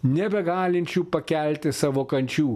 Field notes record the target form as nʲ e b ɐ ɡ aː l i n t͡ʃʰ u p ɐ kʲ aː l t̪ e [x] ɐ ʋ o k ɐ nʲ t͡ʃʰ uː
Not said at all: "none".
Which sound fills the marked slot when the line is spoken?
s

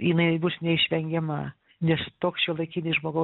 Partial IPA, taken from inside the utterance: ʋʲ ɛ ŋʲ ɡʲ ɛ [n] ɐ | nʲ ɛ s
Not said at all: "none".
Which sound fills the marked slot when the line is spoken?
m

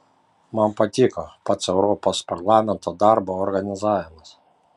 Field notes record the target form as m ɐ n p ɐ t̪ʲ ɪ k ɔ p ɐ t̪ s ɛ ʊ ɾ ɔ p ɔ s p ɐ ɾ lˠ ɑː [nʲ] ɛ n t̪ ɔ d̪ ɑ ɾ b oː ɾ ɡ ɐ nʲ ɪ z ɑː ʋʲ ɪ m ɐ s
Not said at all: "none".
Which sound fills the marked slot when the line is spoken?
mʲ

